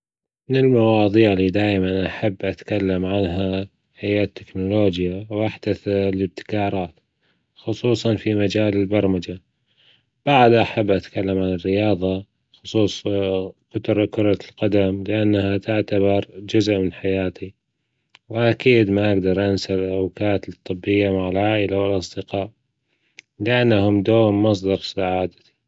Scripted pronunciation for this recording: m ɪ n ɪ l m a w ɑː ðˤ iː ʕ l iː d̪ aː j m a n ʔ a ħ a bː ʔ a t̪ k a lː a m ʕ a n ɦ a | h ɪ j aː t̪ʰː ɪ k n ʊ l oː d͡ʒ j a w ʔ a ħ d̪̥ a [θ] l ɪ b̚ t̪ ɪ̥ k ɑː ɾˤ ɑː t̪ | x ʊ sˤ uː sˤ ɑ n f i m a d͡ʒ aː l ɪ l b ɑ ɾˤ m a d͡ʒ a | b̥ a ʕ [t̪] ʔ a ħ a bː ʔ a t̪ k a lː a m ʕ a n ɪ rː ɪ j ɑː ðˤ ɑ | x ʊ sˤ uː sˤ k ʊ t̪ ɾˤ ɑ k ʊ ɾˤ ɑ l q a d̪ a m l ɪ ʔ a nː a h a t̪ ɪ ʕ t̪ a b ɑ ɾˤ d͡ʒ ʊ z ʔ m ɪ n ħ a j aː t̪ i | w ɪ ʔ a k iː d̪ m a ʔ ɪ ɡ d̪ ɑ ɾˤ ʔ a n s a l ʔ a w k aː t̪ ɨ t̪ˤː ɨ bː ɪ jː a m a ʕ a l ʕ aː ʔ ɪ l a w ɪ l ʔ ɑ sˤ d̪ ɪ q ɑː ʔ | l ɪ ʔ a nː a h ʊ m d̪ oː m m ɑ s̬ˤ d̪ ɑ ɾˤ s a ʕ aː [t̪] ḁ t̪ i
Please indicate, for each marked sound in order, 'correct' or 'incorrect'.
correct, incorrect: d̪, incorrect: d̪

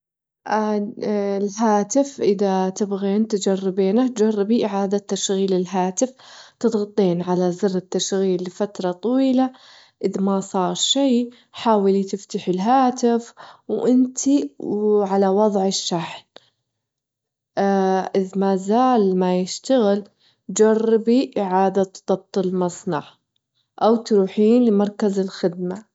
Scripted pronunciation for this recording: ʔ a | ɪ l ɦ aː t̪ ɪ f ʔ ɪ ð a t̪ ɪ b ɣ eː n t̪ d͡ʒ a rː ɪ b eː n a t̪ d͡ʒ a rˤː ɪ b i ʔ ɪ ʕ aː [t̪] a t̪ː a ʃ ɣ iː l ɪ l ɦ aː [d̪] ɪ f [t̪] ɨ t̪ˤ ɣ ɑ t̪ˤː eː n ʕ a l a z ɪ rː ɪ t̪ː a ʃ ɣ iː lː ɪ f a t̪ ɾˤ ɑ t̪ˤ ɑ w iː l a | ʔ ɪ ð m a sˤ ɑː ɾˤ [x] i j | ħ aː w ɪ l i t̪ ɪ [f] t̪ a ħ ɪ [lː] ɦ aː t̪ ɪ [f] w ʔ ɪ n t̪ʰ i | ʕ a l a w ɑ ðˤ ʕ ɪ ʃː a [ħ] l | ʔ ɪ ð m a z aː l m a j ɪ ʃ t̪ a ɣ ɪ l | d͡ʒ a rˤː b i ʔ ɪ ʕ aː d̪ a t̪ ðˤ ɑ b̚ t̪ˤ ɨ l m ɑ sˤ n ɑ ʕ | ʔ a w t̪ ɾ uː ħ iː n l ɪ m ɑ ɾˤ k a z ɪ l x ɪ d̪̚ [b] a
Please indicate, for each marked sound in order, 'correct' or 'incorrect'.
incorrect: d̪, incorrect: t̪, correct, incorrect: ʃ, correct, incorrect: l, correct, correct, incorrect: m

